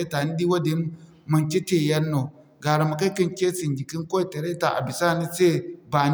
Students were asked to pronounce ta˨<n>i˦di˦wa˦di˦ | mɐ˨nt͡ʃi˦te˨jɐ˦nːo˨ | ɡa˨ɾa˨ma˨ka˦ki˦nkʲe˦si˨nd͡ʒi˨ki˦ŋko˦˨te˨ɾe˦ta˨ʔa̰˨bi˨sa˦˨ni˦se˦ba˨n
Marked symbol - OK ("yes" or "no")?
yes